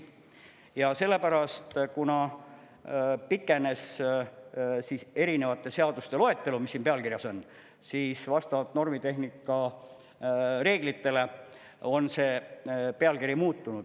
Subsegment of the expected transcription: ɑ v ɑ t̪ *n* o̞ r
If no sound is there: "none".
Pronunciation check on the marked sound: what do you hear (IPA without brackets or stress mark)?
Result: n